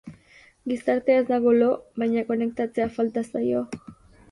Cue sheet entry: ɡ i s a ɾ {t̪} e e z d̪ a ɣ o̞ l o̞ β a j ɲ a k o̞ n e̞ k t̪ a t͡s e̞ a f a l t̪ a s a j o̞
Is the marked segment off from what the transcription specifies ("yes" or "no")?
no